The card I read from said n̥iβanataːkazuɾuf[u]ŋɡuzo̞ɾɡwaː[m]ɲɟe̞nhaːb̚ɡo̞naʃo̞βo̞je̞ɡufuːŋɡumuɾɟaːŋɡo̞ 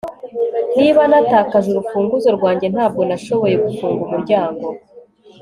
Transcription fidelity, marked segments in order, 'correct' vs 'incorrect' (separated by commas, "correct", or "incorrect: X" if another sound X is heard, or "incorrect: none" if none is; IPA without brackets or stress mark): incorrect: uː, incorrect: none